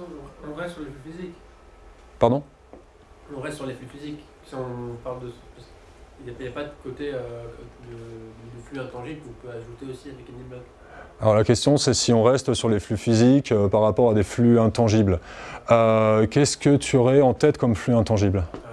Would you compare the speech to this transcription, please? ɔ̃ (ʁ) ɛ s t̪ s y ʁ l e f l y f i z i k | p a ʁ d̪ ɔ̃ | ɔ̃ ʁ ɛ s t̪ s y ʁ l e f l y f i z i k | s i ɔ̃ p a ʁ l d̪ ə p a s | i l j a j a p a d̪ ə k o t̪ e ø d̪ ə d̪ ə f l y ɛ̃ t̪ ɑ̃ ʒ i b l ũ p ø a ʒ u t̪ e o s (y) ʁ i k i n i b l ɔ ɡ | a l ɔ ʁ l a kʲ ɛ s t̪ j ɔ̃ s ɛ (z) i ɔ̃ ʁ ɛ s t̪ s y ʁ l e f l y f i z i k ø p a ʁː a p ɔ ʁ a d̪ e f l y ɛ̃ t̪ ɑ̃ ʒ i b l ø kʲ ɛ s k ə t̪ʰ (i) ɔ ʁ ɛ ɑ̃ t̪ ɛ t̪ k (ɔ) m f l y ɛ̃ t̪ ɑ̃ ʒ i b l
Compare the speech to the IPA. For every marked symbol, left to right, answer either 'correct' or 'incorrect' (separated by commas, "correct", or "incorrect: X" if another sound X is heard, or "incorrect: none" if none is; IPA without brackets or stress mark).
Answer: correct, incorrect: i, incorrect: s, incorrect: y, correct